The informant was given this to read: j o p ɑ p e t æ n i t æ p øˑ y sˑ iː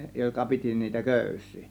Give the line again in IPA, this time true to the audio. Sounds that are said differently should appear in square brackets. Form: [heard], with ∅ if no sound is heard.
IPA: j o [k] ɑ p [i] t [i] n [iː] t æ [k] øˑ y sˑ iː